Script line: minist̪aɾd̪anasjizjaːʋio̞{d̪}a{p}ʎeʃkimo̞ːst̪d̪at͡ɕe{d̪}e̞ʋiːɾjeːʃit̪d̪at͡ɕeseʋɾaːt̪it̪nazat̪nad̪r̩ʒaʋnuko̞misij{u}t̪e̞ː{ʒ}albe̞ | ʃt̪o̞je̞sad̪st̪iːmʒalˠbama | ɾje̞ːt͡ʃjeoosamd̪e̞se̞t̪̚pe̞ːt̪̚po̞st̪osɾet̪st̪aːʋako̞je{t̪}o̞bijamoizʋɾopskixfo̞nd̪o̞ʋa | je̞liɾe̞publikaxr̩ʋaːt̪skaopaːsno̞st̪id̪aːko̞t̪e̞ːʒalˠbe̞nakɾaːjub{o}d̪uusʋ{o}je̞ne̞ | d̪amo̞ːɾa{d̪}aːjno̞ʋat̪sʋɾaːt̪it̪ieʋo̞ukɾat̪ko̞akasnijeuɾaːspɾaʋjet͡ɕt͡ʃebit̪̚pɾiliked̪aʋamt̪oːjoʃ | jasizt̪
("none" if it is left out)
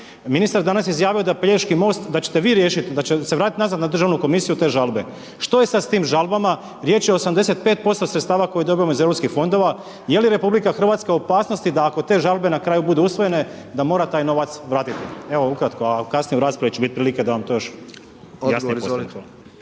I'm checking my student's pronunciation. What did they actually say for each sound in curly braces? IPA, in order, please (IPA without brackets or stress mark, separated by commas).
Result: d̪, p, t̪, u, ʒ, d̪, u, o, t̪